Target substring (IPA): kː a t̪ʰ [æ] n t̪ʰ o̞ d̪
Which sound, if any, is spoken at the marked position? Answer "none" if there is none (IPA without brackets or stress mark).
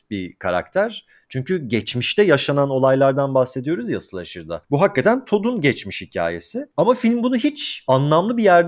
æ